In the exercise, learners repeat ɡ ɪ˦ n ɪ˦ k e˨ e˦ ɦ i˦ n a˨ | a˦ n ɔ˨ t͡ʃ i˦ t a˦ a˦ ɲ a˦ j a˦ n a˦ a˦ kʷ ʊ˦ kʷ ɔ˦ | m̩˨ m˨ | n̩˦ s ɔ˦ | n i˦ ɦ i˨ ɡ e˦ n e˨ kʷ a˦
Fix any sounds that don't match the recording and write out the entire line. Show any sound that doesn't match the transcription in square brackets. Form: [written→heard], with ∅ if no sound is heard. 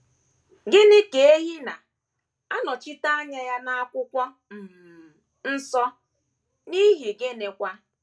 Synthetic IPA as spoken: ɡ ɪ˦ n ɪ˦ k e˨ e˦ ɦ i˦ n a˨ | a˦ n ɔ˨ t͡ʃ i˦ t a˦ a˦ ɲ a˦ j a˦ n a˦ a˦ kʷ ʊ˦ kʷ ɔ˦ | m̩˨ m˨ | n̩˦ s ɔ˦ | n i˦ ɦ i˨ ɡ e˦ n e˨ kʷ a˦

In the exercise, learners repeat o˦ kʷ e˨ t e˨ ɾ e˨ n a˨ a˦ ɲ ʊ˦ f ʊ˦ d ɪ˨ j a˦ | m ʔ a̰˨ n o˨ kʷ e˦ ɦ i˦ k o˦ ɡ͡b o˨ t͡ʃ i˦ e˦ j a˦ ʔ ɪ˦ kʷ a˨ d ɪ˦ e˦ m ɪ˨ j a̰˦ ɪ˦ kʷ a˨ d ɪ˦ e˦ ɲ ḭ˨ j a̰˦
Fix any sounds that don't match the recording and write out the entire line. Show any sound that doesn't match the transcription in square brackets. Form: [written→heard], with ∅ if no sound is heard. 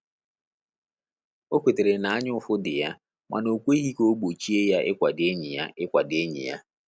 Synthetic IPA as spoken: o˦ kʷ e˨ t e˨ ɾ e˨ n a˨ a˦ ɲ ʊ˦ f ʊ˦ d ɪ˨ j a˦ | m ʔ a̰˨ n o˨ kʷ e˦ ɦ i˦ k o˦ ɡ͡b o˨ t͡ʃ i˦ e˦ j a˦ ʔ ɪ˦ kʷ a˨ d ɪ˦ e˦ [m→ɲ] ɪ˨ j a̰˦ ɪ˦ kʷ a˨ d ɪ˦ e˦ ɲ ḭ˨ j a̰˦

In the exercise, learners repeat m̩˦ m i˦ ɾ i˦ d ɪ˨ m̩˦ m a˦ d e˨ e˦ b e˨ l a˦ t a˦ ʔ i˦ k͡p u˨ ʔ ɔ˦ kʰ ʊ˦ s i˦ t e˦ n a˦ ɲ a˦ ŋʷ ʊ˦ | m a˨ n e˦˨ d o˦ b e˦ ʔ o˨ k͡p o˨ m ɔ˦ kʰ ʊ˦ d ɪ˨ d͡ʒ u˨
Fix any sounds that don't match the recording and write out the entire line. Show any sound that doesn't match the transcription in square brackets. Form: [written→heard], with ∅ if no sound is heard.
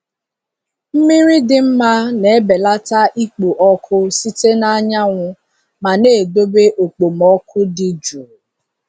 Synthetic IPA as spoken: m̩˦ m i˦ ɾ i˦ d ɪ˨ m̩˦ m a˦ [d→n] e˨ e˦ b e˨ l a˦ t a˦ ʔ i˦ k͡p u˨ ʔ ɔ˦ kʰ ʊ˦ s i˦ t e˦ n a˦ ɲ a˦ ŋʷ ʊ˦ | m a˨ n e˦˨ d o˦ b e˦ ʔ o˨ k͡p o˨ m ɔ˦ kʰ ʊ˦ d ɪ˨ d͡ʒ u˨

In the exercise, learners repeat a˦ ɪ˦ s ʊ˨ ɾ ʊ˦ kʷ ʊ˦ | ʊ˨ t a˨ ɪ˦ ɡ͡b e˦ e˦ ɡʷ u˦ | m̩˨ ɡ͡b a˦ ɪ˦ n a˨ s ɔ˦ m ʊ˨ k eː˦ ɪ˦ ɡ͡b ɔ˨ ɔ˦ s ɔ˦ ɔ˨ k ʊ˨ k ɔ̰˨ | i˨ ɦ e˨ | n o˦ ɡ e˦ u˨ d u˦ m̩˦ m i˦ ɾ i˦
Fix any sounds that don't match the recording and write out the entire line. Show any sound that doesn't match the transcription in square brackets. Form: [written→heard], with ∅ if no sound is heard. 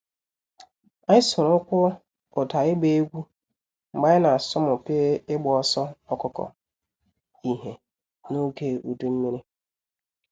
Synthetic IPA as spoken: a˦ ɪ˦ s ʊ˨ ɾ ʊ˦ kʷ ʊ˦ | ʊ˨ t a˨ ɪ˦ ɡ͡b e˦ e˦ ɡʷ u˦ | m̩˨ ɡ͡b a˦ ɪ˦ n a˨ s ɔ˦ m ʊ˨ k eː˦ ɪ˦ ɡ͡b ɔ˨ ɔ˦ s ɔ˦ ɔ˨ k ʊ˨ k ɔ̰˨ | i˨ ɦ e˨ | n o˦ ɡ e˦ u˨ d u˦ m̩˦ m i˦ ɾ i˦

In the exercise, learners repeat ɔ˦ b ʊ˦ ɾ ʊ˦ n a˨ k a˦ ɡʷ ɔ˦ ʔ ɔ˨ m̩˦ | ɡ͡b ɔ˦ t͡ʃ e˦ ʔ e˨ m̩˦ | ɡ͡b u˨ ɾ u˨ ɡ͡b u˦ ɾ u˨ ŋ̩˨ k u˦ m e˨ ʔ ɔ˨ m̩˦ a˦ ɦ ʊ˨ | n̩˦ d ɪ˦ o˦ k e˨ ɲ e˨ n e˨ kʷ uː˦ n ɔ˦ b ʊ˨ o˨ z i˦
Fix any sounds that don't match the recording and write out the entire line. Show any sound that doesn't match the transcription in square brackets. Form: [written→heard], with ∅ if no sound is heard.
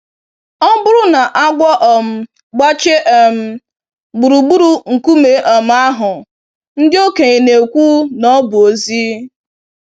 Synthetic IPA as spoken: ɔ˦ b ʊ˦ ɾ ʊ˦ n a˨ [k→ʔ] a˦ ɡʷ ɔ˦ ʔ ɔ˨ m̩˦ | ɡ͡b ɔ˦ t͡ʃ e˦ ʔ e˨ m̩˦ | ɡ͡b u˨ ɾ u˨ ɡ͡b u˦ ɾ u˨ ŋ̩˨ k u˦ m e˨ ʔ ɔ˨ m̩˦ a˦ ɦ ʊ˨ | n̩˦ d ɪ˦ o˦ k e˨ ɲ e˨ n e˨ kʷ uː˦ n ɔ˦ b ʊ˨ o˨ z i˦

